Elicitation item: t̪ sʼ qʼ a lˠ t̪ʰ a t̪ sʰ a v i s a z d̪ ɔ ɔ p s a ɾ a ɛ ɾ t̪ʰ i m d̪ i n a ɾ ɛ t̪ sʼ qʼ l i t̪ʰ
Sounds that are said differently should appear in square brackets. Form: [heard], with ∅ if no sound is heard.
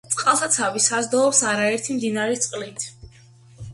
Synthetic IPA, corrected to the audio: t̪ sʼ qʼ a lˠ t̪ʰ a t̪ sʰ a v i s a z d̪ ɔ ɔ p s a ɾ a ɛ ɾ t̪ʰ i m d̪ i n a ɾ ɛ t̪ sʼ qʼ l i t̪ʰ